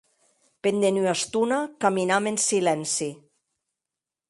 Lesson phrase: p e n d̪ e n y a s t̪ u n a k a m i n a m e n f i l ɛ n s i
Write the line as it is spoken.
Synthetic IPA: p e n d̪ e n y a s t̪ u n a k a m i n a m e n s i l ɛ n s i